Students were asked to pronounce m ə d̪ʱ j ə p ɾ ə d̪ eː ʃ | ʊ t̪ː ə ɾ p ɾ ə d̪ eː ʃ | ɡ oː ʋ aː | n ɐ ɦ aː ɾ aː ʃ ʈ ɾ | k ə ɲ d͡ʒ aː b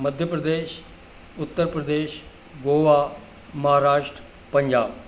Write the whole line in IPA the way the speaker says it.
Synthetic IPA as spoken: m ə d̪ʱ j ə p ɾ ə d̪ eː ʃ | ʊ t̪ː ə ɾ p ɾ ə d̪ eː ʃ | ɡ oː ʋ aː | m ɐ ɦ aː ɾ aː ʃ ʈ ɾ | p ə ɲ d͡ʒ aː b